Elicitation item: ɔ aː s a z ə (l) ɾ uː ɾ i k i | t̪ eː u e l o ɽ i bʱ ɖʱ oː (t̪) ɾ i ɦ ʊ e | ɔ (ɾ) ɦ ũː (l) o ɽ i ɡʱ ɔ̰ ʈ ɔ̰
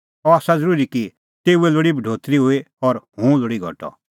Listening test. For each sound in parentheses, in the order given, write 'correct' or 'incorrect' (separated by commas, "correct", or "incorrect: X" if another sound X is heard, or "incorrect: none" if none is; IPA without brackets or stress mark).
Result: incorrect: none, correct, correct, correct